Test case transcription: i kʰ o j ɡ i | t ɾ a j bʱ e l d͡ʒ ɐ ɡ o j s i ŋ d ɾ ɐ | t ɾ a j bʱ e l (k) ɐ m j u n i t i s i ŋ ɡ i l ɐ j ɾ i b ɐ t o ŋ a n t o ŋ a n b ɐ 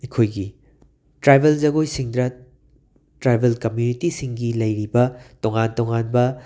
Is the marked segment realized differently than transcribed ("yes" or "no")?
no